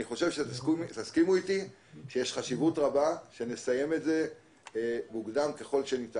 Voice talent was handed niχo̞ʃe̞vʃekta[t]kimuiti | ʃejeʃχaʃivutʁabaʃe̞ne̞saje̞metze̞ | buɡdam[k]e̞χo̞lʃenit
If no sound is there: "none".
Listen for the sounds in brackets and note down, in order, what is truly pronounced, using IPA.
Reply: s, k

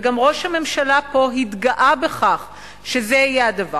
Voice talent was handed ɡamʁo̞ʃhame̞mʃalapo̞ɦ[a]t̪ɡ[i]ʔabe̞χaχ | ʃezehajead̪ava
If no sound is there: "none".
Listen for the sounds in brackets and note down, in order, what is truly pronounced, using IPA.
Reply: i, a

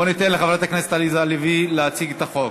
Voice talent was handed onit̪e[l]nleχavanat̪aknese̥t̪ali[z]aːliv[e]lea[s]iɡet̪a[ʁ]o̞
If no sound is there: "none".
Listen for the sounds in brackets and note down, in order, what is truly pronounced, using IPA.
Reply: none, z, i, t͡s, χ

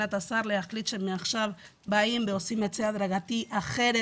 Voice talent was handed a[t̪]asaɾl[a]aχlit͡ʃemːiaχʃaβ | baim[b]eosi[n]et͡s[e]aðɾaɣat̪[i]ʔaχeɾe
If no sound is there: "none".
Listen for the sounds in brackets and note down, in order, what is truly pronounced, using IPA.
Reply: t̪, e, b, m, e, i

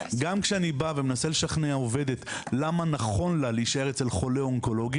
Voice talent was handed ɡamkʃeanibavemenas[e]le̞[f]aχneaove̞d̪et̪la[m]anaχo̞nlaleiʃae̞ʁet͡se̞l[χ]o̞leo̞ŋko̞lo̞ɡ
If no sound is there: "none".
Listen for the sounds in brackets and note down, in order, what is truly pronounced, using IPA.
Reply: e, ʃ, m, χ

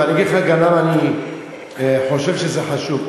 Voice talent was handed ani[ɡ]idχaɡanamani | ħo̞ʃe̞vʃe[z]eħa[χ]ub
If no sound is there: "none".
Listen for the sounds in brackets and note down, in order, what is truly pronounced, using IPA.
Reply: ɡ, z, ʃ

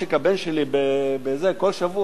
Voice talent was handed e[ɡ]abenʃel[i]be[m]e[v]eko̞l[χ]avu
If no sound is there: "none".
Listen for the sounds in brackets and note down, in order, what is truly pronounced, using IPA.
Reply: k, i, b, z, ʃ

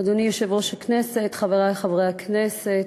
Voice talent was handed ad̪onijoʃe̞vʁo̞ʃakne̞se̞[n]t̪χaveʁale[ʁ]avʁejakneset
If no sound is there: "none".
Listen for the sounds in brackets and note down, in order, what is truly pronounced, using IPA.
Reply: none, χ

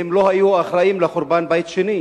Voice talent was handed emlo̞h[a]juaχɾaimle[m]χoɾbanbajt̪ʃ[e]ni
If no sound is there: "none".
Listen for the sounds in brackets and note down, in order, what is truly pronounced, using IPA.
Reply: a, none, e

